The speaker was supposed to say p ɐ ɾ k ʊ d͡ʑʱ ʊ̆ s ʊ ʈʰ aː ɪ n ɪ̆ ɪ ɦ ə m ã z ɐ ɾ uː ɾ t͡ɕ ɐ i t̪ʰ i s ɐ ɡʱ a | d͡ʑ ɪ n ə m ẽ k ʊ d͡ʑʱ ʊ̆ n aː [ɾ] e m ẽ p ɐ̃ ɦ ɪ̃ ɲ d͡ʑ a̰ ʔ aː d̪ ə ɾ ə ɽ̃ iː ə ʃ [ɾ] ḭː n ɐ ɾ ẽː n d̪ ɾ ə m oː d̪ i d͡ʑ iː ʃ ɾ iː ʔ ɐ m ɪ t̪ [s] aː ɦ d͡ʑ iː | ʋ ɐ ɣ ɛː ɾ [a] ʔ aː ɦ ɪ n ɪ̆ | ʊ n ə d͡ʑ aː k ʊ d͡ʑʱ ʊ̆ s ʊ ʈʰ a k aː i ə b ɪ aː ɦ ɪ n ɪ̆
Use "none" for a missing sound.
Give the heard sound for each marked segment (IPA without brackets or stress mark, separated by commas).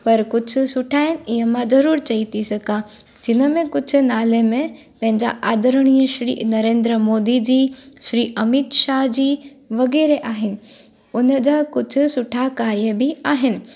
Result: l, ɾ, ʃ, e